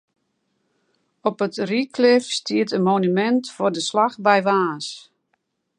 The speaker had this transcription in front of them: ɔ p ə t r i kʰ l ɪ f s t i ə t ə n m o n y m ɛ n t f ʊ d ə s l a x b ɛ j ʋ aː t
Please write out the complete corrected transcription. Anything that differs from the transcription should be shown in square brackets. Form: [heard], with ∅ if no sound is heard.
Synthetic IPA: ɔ p ə t r i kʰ l ɪ f s t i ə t ə n m o n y m ɛ n t f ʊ d ə s l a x b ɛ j ʋ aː [s]

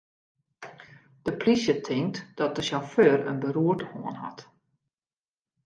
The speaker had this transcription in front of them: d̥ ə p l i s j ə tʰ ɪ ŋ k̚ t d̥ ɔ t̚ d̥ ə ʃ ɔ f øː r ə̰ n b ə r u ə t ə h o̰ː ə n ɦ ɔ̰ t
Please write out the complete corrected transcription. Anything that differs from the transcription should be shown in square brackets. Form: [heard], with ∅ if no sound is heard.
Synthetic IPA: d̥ ə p l i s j ə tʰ ɪ ŋ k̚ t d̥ ɔ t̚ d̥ ə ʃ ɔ f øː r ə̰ n b ə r u ə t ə h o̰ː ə n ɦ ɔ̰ t

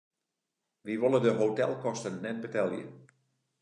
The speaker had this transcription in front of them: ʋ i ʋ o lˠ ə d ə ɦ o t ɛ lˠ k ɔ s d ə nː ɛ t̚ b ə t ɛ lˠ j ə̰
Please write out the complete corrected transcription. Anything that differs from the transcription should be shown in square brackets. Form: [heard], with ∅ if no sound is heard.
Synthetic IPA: ʋ i ʋ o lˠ ə d ə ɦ o t ɛ lˠ k ɔ s [t] ə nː ɛ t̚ b ə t ɛ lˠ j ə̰

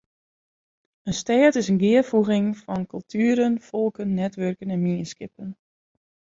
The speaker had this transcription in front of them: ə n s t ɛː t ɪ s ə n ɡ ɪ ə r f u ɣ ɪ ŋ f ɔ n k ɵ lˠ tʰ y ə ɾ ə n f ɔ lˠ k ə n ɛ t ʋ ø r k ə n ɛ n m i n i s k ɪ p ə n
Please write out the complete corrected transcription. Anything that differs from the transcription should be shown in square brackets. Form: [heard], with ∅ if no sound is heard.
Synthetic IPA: ə n s t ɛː t ɪ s ə n ɡ ɪ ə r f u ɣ ɪ ŋ f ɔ n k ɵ lˠ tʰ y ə ɾ ə n f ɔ lˠ k ə [nː] ɛ t ʋ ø r k ə n ɛ n m i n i s k ɪ p ə n

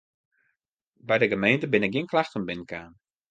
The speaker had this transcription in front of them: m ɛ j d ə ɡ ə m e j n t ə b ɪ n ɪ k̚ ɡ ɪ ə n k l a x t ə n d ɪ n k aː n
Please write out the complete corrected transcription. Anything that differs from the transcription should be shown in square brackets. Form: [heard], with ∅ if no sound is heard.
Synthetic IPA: [b] ɛ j d ə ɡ ə m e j n t ə b ɪ n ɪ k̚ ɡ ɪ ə n k l a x t ə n [b] ɪ n k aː n

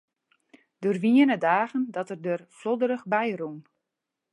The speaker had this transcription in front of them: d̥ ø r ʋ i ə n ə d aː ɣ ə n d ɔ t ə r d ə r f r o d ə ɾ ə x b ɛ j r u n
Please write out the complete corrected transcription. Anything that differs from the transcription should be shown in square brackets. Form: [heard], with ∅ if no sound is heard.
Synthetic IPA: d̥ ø r ʋ i ə n ə d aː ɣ ə n d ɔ t ə r d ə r f [l] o d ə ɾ ə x b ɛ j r u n

